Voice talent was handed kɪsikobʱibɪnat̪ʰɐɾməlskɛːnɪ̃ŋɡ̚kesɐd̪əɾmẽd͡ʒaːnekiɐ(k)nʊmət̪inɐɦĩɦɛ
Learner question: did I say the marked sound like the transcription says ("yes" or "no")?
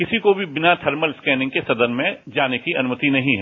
no